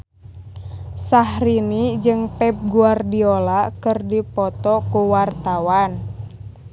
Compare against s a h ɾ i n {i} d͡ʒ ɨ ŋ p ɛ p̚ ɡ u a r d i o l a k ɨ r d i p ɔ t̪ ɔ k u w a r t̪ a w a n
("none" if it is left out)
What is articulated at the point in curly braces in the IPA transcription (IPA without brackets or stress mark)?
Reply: i